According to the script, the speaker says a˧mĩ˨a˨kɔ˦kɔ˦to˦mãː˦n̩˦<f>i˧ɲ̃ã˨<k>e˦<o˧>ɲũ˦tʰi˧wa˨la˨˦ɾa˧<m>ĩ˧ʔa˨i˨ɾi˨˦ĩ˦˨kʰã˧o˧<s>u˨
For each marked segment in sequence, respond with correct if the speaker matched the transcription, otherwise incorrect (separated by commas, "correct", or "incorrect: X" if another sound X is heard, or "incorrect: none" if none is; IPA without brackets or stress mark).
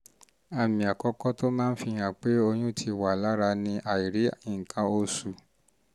correct, incorrect: k͡p, correct, incorrect: n, correct